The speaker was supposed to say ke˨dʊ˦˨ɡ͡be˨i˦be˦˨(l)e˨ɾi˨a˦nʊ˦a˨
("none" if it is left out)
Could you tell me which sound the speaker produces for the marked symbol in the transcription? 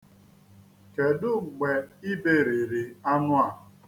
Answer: ɾ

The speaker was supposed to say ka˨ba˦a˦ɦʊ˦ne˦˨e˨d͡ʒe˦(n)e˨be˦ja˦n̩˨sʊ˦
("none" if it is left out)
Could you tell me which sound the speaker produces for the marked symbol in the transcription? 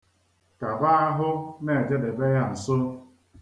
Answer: d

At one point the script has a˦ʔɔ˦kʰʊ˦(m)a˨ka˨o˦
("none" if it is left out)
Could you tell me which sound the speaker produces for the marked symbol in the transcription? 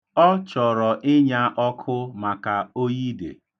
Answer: m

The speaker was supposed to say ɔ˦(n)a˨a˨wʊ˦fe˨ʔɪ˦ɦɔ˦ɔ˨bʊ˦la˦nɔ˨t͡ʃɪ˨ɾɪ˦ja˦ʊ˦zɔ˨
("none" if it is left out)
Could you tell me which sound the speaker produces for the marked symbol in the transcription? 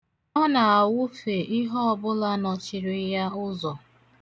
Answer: n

